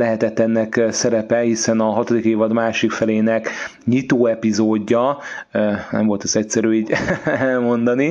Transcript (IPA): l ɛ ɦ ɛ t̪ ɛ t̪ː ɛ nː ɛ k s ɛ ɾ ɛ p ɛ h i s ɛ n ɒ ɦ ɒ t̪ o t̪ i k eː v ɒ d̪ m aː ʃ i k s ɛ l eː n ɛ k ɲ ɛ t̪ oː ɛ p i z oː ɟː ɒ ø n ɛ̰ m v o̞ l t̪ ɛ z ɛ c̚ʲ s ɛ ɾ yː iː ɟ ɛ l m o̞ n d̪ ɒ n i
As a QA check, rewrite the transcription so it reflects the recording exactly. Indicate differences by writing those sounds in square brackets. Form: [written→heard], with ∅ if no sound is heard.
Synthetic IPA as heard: l ɛ ɦ ɛ t̪ ɛ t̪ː ɛ nː ɛ k s ɛ ɾ ɛ p ɛ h i s ɛ n ɒ ɦ ɒ t̪ o [t̪→d̪] i k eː v ɒ d̪ m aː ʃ i k [s→f] ɛ l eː n ɛ k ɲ [ɛ→i] t̪ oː ɛ p i z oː ɟː ɒ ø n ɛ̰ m v o̞ l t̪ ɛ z ɛ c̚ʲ s ɛ ɾ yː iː ɟ ɛ l m o̞ n d̪ ɒ n i